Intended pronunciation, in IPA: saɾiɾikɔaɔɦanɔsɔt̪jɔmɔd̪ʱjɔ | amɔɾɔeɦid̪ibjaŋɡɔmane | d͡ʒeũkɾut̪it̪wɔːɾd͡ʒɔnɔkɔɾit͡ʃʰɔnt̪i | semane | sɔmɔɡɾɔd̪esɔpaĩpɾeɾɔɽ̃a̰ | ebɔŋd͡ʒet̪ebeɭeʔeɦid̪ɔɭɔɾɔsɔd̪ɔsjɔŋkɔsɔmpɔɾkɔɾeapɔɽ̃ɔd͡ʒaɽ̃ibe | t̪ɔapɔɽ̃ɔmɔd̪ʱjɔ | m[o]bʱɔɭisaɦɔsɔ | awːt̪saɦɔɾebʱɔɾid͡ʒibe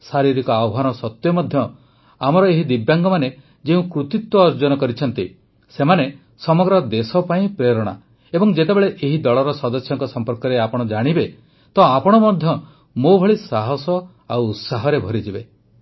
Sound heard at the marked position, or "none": o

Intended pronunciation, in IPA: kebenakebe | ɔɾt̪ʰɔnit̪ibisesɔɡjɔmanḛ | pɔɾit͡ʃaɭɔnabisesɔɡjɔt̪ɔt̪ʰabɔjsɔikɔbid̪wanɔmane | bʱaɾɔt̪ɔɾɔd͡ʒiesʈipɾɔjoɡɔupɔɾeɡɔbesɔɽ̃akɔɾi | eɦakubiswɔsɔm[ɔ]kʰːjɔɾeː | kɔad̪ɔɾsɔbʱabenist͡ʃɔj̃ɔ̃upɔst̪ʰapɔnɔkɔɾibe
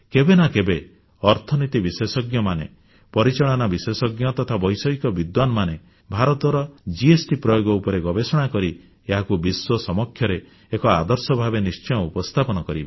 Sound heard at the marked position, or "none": ɔ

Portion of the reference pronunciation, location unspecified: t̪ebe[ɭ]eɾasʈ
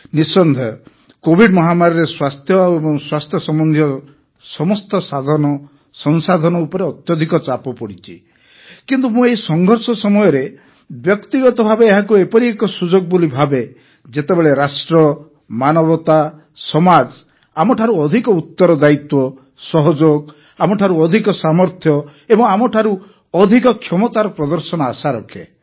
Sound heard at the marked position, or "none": ɭ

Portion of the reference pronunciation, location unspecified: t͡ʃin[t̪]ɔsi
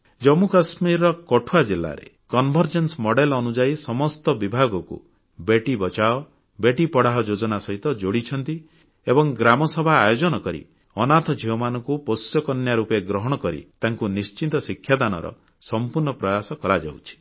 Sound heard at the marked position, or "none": t̪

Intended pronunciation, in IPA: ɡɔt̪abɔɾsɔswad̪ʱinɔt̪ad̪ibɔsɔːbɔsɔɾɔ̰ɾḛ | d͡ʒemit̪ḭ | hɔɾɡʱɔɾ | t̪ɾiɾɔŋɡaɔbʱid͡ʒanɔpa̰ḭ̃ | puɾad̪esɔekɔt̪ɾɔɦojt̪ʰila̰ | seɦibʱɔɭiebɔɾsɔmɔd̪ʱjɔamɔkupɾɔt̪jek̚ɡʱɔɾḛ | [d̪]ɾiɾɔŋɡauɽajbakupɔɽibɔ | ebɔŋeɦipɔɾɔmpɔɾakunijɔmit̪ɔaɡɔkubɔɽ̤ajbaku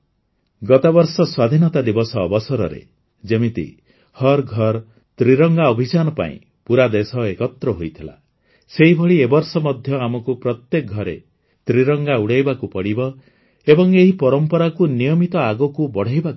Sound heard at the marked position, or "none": t̪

